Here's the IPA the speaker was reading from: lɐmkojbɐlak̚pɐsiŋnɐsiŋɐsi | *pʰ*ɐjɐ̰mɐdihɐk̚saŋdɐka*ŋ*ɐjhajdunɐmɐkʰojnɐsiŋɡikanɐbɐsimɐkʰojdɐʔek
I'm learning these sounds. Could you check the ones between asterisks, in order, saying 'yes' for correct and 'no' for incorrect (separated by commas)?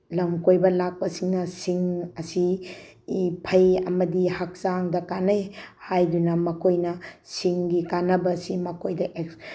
yes, no